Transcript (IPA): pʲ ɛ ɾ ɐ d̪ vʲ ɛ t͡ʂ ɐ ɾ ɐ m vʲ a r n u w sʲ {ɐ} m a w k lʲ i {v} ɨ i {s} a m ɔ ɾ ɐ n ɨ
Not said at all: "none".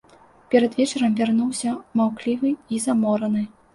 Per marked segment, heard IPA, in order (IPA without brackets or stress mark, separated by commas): ɐ, v, z